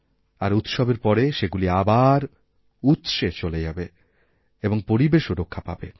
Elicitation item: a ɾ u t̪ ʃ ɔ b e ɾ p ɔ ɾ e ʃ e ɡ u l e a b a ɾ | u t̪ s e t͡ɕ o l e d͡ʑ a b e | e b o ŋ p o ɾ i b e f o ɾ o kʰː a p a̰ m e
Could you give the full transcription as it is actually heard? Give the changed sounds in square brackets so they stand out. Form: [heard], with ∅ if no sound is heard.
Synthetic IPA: a ɾ u t̪ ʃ ɔ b e ɾ p ɔ ɾ e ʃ e ɡ u l [i] a b a ɾ | u t̪ [ʃ] e t͡ɕ o l e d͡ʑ a b e | e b o ŋ p o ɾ i b e [ʃ] o ɾ o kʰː a p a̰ [b] e